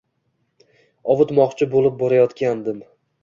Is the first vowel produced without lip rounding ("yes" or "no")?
no